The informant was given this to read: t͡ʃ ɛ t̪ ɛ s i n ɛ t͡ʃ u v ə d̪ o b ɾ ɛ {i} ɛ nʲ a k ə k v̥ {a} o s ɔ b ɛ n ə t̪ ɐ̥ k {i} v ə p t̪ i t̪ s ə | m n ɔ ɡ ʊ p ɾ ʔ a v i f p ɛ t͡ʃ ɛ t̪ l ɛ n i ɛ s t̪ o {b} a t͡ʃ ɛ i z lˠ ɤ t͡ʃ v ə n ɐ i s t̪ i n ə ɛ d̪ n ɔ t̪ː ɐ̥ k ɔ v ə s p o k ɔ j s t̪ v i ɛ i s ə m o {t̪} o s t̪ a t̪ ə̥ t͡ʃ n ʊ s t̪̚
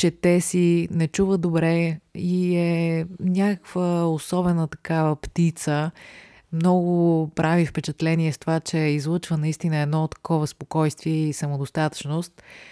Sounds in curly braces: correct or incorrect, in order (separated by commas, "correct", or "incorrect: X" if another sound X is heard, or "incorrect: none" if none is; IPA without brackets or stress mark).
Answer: correct, incorrect: ə, incorrect: a, incorrect: v, incorrect: d̪